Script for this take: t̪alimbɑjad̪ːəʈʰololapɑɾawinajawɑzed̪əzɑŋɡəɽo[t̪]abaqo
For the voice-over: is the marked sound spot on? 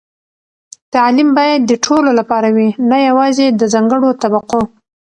yes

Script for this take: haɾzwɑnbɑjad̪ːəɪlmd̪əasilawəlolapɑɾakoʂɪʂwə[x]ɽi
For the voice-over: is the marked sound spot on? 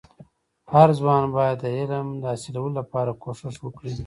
no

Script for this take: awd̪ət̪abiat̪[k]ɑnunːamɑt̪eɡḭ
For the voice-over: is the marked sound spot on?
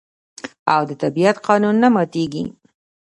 no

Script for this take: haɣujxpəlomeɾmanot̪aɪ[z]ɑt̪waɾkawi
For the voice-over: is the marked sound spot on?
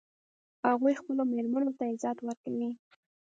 yes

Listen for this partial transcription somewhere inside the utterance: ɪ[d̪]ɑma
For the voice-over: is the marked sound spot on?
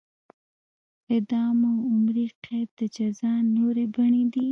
yes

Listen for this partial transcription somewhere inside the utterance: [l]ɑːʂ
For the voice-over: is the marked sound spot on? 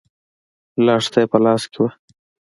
yes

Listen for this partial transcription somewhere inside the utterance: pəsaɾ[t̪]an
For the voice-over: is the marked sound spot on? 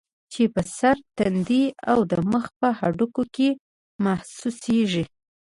yes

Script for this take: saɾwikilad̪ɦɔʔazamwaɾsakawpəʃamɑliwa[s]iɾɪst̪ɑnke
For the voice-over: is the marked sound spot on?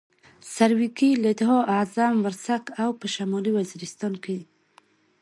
no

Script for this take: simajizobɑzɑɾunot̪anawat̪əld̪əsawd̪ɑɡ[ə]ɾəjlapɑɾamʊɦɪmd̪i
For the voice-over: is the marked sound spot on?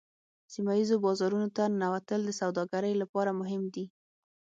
no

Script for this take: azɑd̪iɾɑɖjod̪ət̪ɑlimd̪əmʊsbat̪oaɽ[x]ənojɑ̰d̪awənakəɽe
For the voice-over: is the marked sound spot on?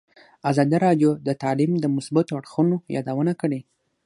yes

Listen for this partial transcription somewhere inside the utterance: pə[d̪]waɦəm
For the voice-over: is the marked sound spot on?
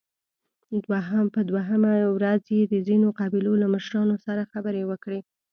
yes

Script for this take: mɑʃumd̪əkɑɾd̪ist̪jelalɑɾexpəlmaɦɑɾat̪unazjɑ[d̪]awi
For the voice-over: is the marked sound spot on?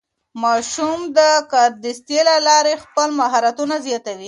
no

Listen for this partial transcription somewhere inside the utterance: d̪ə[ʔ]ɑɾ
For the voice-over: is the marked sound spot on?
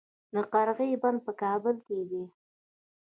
no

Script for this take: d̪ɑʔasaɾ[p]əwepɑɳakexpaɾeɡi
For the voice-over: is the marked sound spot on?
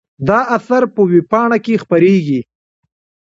yes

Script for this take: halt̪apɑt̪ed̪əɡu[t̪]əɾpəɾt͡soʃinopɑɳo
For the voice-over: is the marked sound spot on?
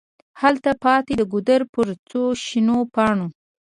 no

